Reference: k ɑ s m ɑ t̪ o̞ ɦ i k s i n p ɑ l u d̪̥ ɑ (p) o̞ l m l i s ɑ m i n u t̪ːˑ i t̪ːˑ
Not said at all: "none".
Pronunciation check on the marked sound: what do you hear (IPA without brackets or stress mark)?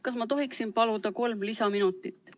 k